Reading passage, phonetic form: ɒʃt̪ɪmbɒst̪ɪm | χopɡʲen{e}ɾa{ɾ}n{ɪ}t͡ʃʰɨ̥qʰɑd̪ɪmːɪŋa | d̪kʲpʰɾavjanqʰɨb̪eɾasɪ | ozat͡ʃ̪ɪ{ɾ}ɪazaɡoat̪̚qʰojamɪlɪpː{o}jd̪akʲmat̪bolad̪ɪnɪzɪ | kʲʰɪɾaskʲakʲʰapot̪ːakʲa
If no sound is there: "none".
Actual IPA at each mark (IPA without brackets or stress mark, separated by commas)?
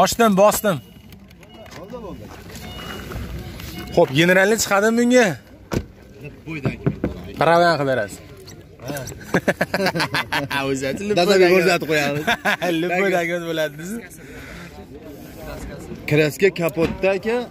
e, l, ɪ, l, o